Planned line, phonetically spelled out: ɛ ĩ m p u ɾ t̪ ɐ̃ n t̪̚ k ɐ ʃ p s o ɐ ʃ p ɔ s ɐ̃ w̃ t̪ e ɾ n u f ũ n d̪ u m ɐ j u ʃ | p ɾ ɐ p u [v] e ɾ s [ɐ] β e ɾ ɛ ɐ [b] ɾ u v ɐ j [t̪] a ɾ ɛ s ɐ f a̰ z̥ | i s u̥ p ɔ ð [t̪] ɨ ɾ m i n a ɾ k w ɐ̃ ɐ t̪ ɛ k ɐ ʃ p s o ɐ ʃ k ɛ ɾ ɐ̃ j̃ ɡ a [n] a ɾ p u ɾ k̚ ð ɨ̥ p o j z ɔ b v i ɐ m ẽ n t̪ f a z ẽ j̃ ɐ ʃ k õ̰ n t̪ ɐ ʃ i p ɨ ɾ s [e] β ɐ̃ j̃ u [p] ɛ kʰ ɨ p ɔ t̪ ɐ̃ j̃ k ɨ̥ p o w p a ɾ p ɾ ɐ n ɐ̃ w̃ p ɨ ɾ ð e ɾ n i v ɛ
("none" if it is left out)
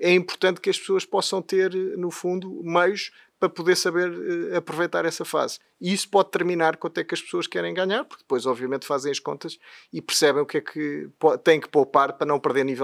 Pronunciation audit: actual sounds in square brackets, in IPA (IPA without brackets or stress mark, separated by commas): ð, ɐ, p, t̪, t̪, ɲ, ɛ, k